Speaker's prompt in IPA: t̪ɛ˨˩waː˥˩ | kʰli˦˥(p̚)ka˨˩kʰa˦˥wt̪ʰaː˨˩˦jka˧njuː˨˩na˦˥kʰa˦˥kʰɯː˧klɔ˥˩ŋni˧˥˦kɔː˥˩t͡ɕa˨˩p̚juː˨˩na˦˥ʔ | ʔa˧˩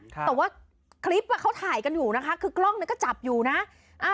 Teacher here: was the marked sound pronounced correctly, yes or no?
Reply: yes